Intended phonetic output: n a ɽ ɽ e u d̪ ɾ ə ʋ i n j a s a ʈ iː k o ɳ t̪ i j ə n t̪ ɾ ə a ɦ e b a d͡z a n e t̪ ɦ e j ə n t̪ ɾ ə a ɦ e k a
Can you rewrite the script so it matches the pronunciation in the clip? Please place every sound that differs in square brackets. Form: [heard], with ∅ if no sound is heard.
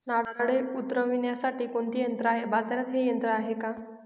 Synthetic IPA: n a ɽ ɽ e u [t̪] ɾ ə ʋ i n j a s a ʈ iː k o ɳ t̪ i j ə n t̪ ɾ ə a ɦ e b a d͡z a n [a] t̪ ɦ e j ə n t̪ ɾ ə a ɦ e k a

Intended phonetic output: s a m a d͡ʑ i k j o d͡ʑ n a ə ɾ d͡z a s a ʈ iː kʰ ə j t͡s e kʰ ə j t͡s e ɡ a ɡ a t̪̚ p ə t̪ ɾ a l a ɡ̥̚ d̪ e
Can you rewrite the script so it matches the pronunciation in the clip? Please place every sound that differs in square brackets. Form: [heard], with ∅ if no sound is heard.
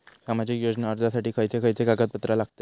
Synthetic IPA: s a m a d͡ʑ i k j o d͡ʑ n a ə ɾ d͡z a s a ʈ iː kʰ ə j t͡s e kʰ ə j t͡s e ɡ a ɡ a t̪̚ p ə t̪ ɾ a l a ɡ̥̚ [t̪] e

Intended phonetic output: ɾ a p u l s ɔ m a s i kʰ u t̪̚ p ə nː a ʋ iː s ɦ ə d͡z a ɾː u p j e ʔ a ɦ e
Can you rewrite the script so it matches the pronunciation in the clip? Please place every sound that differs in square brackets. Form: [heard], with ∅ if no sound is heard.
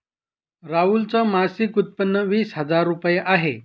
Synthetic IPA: ɾ a [∅] u l [t͡s] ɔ m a s i [k] u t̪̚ p ə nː [ə] ʋ iː s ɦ ə d͡z a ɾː u p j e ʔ a ɦ e

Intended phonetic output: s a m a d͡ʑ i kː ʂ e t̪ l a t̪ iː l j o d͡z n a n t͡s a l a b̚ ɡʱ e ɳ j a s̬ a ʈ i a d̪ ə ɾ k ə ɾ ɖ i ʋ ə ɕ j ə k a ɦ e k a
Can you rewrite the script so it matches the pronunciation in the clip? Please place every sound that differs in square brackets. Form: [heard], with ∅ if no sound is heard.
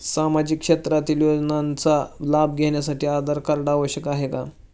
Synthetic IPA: s a m a d͡ʑ i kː ʂ e t̪ [ɾ] a t̪ iː l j o d͡z n a n t͡s a l a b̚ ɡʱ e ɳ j a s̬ a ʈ [iː] a d̪ ə ɾ k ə ɾ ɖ [a] ʋ ə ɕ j ə k a ɦ e k a

